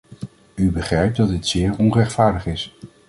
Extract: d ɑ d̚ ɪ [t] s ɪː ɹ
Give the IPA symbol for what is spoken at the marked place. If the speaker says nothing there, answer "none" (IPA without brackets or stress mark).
t